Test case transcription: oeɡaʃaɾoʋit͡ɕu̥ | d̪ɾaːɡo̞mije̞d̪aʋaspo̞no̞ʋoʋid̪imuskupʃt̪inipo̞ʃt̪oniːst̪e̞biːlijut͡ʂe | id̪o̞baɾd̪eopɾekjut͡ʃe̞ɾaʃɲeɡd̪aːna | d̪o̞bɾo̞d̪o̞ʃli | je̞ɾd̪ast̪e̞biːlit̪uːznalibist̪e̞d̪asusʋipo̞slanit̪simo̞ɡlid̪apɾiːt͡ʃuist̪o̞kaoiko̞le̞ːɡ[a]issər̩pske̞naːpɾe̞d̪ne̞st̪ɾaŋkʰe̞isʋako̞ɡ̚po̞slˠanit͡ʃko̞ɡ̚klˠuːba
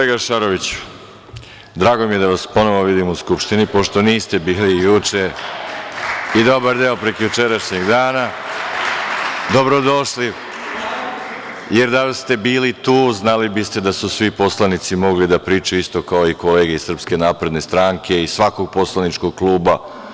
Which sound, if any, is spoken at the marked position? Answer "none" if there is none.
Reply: e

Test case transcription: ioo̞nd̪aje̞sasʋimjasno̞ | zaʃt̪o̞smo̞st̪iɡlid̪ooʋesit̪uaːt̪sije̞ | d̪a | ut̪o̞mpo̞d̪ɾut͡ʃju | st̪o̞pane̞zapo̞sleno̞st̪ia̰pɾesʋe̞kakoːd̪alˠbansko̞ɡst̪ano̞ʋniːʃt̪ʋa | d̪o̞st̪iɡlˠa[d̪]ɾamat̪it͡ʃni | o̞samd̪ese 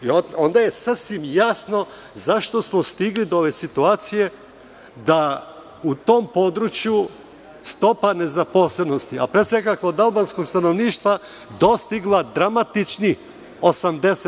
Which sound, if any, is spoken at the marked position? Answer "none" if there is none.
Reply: d̪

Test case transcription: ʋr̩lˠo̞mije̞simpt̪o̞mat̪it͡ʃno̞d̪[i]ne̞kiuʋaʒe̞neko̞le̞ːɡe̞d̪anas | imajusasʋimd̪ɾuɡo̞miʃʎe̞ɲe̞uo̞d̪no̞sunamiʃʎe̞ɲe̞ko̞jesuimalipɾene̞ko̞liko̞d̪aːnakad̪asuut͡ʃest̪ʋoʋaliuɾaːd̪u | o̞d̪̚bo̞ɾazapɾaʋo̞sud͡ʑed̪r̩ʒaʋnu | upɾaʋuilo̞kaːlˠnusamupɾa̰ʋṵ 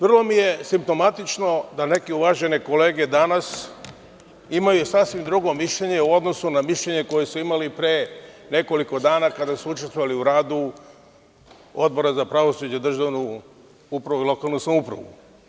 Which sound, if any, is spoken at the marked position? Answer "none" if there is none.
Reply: a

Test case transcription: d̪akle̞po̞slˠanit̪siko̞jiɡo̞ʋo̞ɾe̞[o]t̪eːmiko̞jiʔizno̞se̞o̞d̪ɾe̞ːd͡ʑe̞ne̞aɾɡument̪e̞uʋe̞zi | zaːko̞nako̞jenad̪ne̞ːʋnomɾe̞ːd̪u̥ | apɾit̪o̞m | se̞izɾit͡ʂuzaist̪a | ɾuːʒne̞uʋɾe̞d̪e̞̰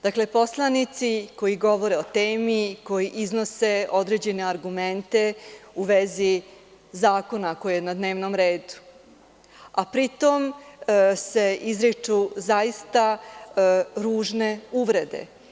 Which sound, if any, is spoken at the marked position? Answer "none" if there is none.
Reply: o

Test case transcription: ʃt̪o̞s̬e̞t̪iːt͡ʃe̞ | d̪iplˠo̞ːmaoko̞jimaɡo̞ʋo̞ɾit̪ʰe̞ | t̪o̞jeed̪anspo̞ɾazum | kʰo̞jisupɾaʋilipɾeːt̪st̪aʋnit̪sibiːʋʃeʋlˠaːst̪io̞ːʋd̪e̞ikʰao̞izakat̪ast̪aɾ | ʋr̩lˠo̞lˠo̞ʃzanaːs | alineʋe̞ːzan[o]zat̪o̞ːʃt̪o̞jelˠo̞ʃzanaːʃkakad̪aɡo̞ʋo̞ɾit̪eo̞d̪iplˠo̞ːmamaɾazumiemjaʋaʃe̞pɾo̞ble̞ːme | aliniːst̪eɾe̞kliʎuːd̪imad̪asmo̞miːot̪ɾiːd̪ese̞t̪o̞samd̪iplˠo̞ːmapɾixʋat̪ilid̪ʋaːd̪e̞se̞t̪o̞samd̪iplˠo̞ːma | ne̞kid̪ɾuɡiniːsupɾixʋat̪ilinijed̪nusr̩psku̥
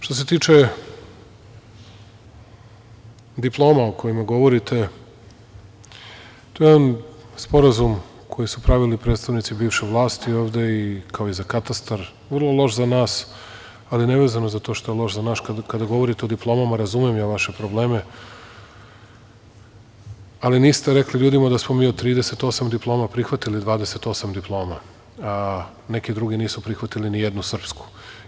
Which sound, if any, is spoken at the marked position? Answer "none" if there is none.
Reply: o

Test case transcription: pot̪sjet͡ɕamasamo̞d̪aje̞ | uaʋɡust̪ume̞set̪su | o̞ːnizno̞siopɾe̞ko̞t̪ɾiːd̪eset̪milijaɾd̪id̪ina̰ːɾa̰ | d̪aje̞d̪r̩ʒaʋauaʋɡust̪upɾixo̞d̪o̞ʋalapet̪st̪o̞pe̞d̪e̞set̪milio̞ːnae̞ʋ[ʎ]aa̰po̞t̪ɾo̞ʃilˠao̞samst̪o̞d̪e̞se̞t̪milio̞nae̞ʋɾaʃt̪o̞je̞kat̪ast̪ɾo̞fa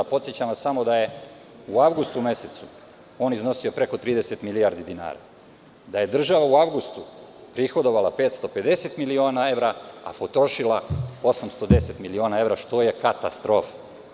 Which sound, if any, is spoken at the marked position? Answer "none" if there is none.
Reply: ɾ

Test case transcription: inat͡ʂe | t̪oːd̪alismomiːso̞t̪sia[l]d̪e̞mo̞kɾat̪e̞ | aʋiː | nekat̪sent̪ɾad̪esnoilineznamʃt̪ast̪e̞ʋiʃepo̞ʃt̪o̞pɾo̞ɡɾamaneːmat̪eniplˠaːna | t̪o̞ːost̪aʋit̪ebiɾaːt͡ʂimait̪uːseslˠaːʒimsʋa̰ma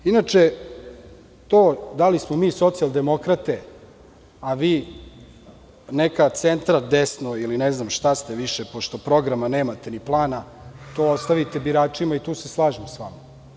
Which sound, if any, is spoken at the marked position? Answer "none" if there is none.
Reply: l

